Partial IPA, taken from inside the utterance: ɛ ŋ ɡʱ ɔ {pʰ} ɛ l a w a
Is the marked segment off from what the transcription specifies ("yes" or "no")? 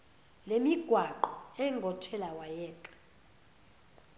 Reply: yes